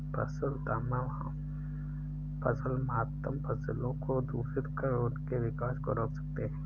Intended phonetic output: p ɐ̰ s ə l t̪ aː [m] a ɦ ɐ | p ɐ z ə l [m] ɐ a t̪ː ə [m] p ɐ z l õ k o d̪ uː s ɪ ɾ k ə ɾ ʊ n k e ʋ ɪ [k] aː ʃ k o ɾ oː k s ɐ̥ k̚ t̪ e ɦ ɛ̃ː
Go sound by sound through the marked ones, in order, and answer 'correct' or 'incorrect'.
correct, correct, correct, correct

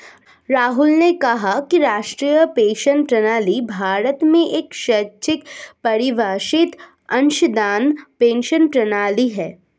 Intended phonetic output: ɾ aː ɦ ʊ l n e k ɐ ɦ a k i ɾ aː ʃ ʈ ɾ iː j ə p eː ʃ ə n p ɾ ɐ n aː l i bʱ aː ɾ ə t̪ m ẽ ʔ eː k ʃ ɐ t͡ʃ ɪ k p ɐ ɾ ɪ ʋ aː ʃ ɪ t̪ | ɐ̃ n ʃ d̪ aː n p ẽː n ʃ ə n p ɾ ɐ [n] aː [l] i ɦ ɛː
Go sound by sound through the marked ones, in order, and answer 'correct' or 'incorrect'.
correct, correct

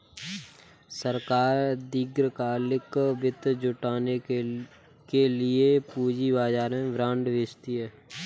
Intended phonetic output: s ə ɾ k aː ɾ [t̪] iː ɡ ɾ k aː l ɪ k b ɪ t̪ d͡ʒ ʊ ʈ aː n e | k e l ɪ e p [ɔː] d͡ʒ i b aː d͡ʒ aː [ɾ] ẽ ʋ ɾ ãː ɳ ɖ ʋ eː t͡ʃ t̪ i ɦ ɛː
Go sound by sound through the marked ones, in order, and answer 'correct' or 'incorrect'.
incorrect: d̪, incorrect: uː, correct

